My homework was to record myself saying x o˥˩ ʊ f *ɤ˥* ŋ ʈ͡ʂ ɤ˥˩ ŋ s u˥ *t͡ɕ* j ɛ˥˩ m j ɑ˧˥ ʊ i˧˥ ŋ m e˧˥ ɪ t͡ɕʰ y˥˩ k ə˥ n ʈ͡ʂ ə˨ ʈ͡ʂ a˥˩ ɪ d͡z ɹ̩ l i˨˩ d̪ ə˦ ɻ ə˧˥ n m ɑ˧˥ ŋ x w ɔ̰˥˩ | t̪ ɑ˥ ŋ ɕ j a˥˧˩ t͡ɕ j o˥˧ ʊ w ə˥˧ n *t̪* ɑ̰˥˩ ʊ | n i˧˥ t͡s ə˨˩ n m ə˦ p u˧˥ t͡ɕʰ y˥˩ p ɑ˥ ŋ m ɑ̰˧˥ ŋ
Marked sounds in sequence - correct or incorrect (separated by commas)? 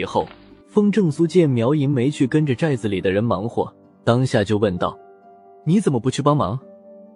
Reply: correct, correct, correct